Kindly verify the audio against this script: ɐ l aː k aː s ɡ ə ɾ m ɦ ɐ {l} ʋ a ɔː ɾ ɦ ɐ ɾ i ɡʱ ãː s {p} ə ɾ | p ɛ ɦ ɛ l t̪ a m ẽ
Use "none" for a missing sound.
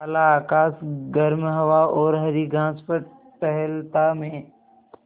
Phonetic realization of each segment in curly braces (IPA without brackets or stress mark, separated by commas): none, p